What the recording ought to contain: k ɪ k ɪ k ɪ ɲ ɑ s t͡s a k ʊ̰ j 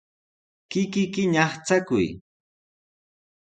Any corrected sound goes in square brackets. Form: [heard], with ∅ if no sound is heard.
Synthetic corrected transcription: k ɪ k ɪ k ɪ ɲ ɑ [χ] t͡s a k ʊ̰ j